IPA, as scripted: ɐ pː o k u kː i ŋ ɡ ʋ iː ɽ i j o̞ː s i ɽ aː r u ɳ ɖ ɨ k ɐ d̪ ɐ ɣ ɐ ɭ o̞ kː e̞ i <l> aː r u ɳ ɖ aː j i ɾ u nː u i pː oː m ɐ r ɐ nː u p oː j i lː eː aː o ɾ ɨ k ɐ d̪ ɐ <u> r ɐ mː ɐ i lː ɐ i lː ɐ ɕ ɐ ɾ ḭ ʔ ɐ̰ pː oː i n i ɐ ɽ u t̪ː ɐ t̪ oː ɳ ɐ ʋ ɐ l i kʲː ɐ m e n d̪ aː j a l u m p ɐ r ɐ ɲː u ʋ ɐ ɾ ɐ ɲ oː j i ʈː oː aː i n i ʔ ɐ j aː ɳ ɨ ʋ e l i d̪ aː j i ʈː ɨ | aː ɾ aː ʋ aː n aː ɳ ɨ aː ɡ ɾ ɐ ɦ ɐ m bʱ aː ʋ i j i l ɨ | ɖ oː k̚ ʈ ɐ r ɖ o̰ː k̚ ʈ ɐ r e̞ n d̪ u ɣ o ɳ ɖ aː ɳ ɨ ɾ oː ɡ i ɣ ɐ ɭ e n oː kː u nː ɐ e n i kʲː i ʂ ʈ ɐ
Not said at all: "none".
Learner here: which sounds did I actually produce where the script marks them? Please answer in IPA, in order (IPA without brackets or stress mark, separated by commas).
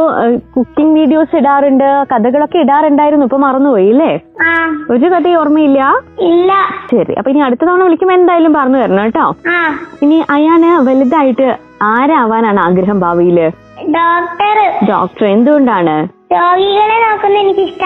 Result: ɽ, o